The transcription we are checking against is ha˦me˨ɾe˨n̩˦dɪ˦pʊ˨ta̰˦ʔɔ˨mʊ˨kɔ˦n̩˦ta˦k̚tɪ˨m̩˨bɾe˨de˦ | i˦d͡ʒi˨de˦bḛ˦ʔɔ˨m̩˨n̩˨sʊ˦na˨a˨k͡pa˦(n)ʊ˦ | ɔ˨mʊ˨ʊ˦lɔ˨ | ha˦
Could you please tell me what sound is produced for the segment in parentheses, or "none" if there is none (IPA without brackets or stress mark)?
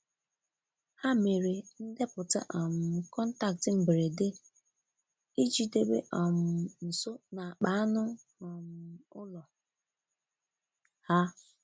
n